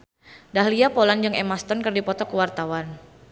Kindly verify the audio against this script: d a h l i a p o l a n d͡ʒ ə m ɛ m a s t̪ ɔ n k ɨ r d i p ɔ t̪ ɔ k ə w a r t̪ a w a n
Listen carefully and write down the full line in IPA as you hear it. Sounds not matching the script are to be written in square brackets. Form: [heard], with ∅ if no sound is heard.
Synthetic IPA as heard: d a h l i a p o l a n d͡ʒ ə [ŋ] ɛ m a s t̪ ɔ n k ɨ r d i p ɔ t̪ ɔ k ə w a r t̪ a w a n